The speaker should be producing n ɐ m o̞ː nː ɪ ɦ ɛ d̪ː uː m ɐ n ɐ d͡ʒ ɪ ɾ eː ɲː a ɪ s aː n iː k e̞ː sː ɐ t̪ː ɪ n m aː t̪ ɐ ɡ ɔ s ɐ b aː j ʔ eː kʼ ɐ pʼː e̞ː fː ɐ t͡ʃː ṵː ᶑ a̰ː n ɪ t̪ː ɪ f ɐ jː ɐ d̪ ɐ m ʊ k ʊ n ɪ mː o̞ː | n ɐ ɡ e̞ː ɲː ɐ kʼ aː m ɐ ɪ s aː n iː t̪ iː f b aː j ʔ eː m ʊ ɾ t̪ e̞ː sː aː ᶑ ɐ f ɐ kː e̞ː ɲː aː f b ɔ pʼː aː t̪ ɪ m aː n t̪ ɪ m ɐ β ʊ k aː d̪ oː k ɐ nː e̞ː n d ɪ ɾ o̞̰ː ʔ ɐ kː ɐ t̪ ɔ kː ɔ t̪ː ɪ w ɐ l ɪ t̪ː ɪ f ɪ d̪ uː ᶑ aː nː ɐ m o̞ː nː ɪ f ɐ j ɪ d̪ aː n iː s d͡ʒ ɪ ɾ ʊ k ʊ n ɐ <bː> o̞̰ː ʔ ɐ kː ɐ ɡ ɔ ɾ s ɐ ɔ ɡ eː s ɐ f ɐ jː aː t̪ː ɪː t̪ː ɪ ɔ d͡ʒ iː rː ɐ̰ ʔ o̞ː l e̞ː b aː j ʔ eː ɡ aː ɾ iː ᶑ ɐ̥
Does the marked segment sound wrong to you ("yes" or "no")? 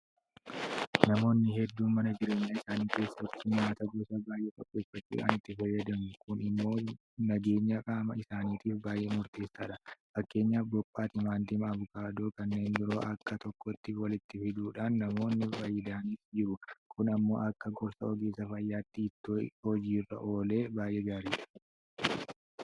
yes